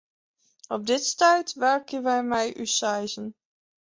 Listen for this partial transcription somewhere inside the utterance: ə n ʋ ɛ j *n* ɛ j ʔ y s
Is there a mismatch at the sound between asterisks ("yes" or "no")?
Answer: yes